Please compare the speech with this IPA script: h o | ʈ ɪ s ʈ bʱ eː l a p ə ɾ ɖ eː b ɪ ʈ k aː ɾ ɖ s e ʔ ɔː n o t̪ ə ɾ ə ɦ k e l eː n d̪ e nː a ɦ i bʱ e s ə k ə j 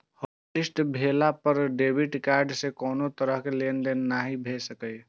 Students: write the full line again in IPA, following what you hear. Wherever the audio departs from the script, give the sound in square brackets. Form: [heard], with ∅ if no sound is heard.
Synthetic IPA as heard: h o | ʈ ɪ s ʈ bʱ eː l a p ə ɾ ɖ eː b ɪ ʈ k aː ɾ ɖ s e [k] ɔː n o t̪ ə ɾ ə ɦ k e l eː n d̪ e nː a ɦ i bʱ e s ə k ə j